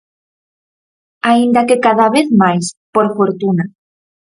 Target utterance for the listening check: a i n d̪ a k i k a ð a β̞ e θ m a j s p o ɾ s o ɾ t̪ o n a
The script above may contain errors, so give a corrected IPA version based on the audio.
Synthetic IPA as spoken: a i n d̪ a k e k a ð a β̞ e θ m a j s p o ɾ f o ɾ t̪ u n a